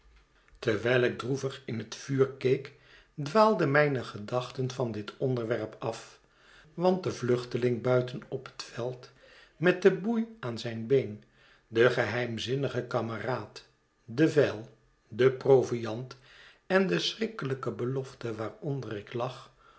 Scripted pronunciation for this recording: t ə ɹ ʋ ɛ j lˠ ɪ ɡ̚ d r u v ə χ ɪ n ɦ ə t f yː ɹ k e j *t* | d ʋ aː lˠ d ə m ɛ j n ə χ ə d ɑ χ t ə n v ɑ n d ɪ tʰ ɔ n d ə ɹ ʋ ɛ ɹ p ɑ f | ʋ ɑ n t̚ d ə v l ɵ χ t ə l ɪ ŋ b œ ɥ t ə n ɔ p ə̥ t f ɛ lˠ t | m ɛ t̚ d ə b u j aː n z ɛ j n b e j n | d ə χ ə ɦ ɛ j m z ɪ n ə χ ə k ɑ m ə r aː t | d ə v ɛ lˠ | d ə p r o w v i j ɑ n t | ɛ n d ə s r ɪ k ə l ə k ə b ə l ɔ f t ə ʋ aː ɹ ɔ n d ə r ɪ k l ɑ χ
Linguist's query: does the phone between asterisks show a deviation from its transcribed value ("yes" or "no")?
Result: yes